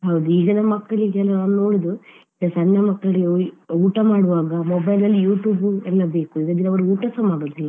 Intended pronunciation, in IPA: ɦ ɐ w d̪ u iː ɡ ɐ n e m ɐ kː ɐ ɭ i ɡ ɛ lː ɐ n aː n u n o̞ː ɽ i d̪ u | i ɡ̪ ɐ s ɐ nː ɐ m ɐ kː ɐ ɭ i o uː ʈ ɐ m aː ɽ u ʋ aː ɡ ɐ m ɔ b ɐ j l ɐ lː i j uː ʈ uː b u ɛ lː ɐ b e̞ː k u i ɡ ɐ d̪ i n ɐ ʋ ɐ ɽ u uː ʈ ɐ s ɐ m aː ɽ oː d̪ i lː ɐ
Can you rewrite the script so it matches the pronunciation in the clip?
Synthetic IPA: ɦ ɐ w d̪ u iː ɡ ɐ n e m ɐ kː ɐ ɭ i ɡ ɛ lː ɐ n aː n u n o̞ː ɽ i d̪ u | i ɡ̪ ɐ s ɐ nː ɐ m ɐ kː ɐ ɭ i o uː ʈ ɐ m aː ɽ u ʋ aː ɡ ɐ m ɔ b ɐ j l ɐ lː i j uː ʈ uː b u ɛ lː ɐ b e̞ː k u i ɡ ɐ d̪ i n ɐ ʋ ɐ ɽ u uː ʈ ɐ s ɐ m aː ɽ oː d̪ i lː ɐ